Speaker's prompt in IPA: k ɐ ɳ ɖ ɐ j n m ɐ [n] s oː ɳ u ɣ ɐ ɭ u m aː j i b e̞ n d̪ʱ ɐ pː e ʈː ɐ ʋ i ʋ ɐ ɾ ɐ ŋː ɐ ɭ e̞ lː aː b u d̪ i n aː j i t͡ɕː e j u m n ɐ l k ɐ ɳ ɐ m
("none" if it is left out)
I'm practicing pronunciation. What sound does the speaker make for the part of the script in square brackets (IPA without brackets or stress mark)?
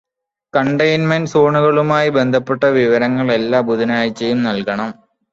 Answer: n